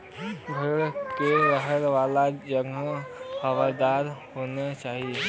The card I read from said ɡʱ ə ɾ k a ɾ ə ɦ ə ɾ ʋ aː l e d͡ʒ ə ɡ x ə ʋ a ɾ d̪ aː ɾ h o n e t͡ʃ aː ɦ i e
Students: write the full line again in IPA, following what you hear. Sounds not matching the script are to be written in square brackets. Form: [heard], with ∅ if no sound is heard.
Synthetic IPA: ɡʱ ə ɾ k [e] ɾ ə ɦ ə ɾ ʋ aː l [a] d͡ʒ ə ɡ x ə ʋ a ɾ d̪ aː ɾ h o n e t͡ʃ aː ɦ i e